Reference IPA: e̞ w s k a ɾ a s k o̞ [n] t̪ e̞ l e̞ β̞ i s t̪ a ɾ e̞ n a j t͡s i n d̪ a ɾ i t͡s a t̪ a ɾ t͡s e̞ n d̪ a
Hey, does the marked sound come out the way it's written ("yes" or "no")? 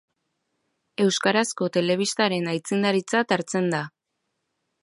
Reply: no